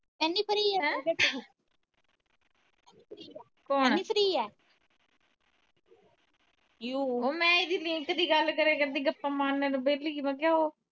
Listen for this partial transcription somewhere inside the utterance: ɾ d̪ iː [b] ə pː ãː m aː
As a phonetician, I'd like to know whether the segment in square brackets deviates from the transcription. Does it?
yes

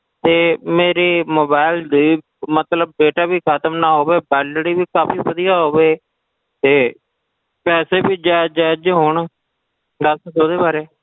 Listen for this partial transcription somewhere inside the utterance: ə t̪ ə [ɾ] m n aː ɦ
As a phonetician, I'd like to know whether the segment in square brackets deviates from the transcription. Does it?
yes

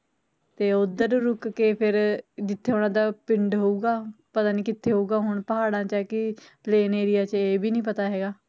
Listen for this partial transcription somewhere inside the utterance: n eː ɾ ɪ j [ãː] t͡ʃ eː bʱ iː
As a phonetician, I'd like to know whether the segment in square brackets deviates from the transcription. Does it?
yes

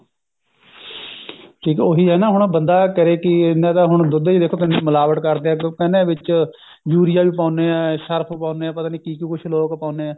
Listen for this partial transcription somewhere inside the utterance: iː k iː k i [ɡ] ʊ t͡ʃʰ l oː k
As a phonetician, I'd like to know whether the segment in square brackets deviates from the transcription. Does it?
yes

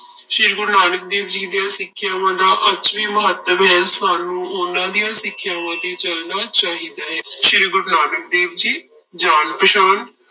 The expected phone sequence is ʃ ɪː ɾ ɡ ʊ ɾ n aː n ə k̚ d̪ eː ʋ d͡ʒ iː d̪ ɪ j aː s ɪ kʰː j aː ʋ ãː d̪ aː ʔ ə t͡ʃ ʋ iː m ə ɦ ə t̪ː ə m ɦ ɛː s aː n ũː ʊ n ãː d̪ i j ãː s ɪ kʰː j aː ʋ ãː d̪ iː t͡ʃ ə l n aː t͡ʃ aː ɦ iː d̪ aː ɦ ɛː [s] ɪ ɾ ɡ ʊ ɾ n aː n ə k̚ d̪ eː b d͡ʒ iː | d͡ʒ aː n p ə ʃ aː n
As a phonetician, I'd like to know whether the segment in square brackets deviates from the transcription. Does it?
yes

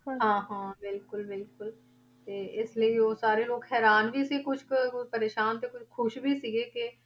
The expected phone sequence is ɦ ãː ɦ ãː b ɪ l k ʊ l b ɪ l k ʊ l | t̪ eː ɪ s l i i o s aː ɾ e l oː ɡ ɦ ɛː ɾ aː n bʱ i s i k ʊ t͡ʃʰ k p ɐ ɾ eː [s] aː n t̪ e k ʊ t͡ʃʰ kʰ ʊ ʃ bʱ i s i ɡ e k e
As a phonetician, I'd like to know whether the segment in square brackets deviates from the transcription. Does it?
yes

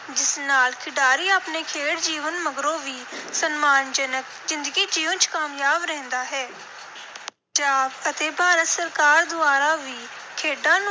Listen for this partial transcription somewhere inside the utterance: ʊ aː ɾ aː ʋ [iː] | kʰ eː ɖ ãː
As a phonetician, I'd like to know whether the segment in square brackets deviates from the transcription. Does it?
no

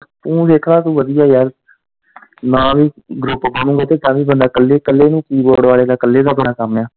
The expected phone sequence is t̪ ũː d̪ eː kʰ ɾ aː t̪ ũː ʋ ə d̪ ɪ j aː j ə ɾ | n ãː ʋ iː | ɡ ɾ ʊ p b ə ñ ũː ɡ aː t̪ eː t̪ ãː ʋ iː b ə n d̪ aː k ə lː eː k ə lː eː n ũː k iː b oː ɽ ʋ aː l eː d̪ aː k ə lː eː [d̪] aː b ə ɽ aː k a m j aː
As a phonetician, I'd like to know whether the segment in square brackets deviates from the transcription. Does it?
no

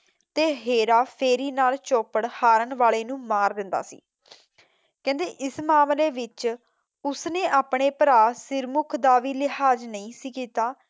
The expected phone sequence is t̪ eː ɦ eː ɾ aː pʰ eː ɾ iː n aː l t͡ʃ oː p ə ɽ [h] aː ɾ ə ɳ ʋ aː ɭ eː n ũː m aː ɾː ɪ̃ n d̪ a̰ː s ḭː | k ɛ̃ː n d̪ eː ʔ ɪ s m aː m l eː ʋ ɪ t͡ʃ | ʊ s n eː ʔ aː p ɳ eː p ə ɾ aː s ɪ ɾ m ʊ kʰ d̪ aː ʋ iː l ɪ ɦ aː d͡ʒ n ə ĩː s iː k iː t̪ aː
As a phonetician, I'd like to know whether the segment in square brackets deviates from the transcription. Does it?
no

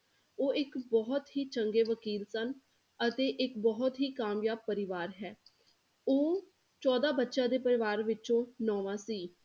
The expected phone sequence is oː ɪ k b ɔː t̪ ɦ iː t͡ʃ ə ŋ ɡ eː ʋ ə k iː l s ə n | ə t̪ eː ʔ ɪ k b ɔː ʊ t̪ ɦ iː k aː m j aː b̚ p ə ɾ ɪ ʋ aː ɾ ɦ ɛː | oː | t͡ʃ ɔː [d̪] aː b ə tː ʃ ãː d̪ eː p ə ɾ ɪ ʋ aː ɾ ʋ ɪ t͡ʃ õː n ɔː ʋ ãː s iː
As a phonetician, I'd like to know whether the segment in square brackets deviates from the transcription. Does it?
no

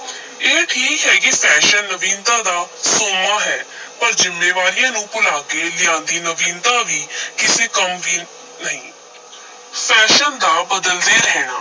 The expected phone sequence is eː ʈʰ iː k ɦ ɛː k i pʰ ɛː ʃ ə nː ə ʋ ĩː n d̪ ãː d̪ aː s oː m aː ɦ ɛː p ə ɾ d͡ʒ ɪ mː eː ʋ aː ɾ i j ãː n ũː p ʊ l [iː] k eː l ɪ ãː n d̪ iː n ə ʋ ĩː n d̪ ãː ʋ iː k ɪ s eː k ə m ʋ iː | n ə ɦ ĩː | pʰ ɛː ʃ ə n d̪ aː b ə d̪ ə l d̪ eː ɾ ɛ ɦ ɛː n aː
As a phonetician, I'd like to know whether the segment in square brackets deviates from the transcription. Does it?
yes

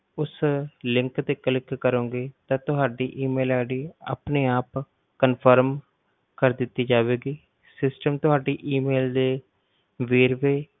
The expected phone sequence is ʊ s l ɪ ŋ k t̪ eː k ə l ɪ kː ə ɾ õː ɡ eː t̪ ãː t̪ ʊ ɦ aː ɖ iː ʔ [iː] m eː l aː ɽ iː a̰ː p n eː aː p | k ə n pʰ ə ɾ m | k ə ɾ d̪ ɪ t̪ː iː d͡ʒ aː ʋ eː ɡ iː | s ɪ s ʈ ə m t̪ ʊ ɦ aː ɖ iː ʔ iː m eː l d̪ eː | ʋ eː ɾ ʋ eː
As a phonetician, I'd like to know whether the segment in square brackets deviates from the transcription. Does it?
no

